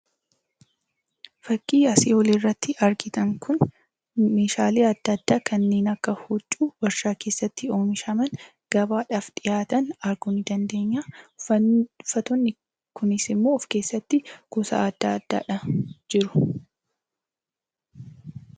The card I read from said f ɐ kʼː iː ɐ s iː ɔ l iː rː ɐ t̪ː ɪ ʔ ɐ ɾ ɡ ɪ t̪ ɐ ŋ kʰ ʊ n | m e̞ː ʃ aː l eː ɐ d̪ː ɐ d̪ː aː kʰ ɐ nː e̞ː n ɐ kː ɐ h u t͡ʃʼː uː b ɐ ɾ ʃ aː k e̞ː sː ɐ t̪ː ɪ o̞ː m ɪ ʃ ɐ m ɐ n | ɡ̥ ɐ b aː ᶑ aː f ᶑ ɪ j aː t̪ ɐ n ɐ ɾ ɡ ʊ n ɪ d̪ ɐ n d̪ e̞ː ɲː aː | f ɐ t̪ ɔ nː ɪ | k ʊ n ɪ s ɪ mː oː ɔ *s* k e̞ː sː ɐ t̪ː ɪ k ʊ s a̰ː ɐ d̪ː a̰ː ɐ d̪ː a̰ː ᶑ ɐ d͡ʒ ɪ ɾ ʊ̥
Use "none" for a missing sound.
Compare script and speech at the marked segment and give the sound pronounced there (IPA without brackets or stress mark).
f